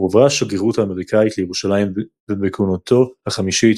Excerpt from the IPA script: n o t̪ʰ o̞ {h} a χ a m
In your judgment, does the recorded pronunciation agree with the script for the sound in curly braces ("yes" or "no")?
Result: yes